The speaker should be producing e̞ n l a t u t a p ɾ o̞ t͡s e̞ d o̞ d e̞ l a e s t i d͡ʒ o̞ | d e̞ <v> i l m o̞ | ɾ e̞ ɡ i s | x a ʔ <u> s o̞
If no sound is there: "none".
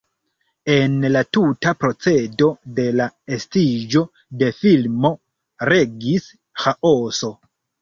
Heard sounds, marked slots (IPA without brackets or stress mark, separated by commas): f, o